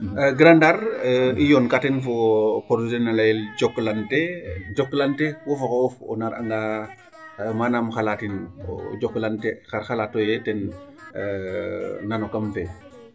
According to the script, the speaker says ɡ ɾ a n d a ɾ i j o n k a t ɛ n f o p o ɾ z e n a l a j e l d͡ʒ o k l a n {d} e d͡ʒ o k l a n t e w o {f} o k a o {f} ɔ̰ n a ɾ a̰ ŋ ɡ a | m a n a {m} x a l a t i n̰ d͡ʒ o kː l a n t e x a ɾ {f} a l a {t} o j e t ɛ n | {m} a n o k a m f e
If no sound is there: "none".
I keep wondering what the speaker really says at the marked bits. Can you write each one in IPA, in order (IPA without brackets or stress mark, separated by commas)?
t, f, f, m, x, t, n